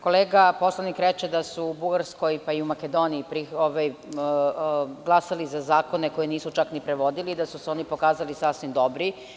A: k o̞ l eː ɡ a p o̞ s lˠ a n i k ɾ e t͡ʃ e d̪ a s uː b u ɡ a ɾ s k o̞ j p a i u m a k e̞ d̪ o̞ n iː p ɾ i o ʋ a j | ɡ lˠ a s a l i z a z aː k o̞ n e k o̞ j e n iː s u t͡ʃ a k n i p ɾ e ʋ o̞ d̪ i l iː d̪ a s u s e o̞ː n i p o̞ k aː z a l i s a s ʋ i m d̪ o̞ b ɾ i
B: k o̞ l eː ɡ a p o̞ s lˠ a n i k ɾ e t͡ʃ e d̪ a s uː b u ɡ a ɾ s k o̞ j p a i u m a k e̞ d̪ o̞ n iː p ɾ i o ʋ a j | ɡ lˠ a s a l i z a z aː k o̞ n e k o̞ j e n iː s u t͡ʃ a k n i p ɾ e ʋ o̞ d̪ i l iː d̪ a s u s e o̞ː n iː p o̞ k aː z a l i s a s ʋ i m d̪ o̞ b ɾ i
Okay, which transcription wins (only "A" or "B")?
A